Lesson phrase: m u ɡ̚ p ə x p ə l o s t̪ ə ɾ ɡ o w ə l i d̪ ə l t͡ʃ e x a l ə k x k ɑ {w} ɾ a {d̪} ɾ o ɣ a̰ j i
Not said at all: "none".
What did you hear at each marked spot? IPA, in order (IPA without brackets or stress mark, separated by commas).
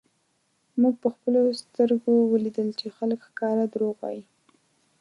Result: none, d̪